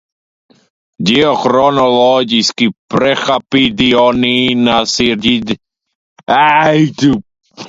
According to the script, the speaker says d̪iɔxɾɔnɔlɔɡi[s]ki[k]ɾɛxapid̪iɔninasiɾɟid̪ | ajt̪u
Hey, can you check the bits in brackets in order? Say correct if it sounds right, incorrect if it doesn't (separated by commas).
correct, incorrect